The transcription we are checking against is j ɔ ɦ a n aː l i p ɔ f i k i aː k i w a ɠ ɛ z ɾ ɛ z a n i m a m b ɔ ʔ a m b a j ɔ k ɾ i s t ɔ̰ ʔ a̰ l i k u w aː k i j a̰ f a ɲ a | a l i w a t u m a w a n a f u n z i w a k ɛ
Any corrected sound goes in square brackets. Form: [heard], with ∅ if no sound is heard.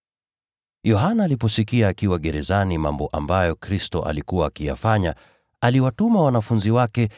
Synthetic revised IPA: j ɔ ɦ a n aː l i p ɔ [s] i k i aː k i w a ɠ ɛ [∅] ɾ ɛ z a n i m a m b ɔ ʔ a m b a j ɔ k ɾ i s t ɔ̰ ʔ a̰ l i k u w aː k i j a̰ f a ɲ a | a l i w a t u m a w a n a f u n z i w a k ɛ

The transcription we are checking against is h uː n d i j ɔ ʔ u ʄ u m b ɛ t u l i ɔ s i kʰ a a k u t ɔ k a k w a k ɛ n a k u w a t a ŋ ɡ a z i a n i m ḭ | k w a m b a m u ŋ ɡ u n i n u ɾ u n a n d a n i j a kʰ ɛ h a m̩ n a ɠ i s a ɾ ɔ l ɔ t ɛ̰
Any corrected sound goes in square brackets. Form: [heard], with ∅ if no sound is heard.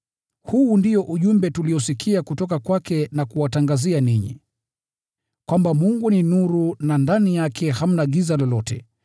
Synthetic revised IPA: h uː n d i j ɔ ʔ u ʄ u m b ɛ t u l i ɔ s i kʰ [i] a k u t ɔ k a k w a k ɛ n a k u w a t a ŋ ɡ a z i a n i [ɲ] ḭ | k w a m b a m u ŋ ɡ u n i n u ɾ u n a n d a n i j a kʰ ɛ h a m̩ n a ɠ i [z] a [l] ɔ l ɔ t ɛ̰

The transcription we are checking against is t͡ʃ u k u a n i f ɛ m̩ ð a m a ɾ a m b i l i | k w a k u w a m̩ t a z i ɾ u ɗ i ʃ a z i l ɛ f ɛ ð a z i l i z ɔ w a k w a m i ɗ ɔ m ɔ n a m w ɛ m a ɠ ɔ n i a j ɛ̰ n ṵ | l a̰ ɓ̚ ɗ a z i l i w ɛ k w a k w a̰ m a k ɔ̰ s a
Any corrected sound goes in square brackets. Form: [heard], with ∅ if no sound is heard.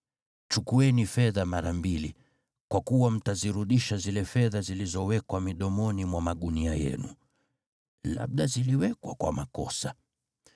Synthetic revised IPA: t͡ʃ u k u [ɛ] n i f ɛ [∅] ð a m a ɾ a m b i l i | k w a k u w a m̩ t a z i ɾ u ɗ i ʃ a z i l ɛ f ɛ ð a z i l i z ɔ w [ɛ] k w a m i ɗ ɔ m ɔ n [i] m w [a] m a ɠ [u] n i a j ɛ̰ n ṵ | l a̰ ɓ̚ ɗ a z i l i w ɛ k w a k w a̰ m a k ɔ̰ s a

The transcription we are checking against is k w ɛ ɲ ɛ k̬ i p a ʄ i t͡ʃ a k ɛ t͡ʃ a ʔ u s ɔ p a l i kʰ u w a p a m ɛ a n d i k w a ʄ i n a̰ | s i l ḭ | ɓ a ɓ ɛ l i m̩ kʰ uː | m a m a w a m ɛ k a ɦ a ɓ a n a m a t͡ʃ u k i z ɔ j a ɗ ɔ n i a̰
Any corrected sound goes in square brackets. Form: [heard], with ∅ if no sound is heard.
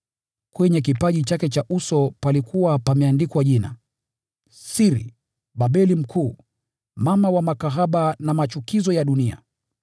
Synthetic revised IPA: k w ɛ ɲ ɛ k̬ i p a ʄ i t͡ʃ a k ɛ t͡ʃ a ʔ u s ɔ p a l i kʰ u w a p a m ɛ a n d i k w a ʄ i n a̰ | s i [ɾ] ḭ | ɓ a ɓ ɛ l i m̩ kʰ uː | m a m a w a m [a] k a ɦ a ɓ a n a m a t͡ʃ u k i z ɔ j a ɗ [u] n i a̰

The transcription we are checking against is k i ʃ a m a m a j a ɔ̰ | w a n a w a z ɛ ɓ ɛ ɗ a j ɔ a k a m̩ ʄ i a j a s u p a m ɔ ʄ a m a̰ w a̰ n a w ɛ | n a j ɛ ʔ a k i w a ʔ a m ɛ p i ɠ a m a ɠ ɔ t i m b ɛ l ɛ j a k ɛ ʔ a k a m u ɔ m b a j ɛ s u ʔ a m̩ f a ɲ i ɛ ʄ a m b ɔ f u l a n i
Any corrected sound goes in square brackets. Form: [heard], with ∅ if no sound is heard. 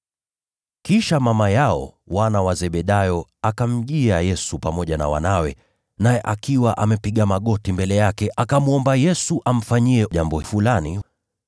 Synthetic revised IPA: k i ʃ a m a m a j a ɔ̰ | w a n a w a z ɛ ɓ ɛ ɗ a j ɔ a k a m̩ ʄ i a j [ɛ] s u p a m ɔ ʄ a [n] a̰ w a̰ n a w ɛ | n a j ɛ ʔ a k i w a ʔ a m ɛ p i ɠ a m a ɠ ɔ t i m b ɛ l ɛ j a k ɛ ʔ a k a m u ɔ m b a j ɛ s u ʔ a m̩ f a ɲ i ɛ ʄ a m b ɔ f u l a n i

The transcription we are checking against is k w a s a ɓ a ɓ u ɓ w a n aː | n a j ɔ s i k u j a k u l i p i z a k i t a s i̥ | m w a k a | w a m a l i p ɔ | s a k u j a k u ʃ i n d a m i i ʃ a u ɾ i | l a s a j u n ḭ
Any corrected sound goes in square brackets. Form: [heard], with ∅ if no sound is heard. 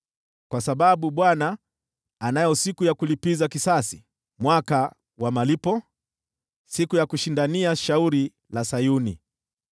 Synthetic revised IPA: k w a s a ɓ a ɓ u ɓ w a n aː | n a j ɔ s i k u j a k u l i p i z a k i [s] a s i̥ | m w a k a | w a m a l i p ɔ | s [i] k u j a k u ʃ i n d a [n] i [a] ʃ a u ɾ i | l a s a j u n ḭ

